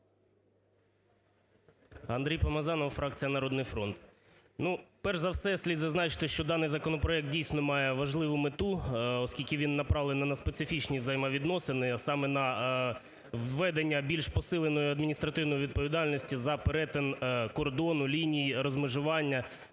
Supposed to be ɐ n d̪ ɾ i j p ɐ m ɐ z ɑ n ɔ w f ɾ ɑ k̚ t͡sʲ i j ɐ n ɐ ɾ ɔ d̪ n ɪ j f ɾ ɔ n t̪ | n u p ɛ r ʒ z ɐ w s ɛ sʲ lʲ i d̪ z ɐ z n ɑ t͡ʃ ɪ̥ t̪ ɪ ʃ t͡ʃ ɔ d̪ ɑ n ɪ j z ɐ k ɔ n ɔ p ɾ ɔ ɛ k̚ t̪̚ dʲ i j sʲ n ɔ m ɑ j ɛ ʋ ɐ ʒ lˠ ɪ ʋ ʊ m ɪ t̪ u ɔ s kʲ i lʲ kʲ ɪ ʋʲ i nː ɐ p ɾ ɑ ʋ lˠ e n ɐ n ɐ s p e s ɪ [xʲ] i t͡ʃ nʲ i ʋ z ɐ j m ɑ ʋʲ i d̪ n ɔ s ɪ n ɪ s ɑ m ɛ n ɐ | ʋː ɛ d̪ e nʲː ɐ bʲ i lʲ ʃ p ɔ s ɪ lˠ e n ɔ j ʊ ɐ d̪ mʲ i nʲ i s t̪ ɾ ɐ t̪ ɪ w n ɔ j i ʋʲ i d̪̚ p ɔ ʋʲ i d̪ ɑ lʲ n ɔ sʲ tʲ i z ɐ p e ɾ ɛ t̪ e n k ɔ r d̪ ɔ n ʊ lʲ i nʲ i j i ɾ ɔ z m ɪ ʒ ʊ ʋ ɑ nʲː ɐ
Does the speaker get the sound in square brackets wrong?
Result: yes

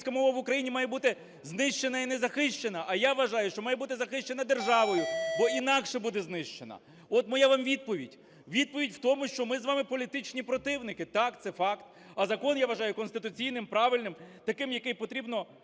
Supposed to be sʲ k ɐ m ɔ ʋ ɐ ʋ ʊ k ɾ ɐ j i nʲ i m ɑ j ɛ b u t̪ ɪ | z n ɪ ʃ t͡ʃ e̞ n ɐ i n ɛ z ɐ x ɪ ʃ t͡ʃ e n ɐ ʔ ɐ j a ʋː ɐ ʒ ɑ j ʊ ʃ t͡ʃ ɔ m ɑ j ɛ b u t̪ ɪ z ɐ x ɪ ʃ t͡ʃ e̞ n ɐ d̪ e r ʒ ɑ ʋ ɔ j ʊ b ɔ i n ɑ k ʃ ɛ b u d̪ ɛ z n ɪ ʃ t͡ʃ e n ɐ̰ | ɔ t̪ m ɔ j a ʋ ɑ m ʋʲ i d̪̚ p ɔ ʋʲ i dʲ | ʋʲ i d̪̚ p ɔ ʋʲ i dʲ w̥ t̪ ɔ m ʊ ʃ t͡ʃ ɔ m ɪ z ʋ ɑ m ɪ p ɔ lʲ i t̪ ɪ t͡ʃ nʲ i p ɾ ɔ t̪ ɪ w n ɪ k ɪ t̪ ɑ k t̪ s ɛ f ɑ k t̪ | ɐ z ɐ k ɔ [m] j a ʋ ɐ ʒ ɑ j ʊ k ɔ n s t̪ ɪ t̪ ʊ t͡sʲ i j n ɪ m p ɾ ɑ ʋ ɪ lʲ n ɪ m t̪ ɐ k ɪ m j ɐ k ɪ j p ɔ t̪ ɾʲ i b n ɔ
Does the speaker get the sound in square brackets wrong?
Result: yes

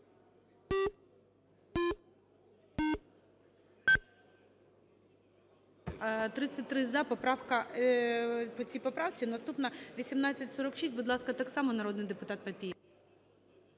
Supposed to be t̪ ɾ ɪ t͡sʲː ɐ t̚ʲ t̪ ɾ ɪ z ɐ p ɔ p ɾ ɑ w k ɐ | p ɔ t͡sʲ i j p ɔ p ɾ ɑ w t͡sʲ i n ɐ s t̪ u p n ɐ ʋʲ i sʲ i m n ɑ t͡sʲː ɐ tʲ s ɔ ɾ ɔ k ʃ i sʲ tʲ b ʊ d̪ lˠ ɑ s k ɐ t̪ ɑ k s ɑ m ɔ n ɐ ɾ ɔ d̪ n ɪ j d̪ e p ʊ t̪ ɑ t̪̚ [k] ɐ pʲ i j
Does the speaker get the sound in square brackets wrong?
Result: yes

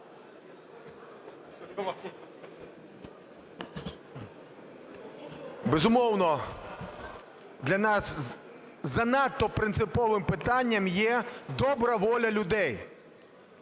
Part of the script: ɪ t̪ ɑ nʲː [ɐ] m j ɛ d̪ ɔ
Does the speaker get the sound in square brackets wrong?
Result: no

